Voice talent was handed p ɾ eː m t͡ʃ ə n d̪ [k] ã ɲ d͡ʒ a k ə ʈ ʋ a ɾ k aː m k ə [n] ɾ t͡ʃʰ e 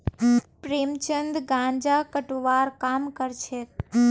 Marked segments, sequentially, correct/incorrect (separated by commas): incorrect, incorrect